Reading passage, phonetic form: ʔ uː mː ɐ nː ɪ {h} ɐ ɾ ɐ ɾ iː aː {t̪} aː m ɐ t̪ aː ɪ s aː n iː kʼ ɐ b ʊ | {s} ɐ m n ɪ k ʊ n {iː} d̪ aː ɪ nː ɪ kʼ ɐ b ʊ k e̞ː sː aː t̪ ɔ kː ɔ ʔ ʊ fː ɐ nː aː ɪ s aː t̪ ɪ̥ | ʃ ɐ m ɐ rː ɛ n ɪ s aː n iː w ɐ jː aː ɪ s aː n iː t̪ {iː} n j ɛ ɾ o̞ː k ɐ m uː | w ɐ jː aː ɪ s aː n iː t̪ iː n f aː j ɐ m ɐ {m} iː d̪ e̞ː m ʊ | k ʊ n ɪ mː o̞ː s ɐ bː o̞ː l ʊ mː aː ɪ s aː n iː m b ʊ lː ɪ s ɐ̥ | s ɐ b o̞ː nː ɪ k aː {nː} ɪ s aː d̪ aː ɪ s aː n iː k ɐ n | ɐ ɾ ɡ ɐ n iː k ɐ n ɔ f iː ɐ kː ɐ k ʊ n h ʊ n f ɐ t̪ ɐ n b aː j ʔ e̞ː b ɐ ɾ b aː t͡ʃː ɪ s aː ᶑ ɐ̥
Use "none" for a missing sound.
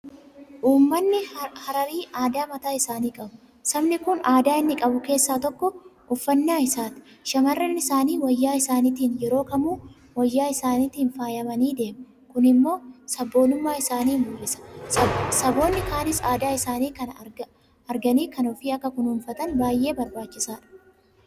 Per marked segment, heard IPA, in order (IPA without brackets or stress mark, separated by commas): h, d̪, s, aː, iː, n, n